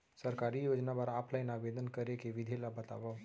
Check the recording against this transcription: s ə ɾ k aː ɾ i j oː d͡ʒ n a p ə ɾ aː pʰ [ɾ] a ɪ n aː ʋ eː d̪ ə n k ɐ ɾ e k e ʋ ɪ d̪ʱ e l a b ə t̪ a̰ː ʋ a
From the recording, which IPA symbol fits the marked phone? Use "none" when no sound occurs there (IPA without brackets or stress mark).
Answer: l